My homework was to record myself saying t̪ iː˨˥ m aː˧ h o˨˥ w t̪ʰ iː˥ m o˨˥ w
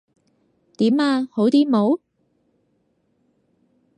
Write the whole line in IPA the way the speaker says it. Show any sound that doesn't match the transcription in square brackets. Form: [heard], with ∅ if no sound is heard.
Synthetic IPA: t̪ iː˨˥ m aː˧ h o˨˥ w [t̪] iː˥ m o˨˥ w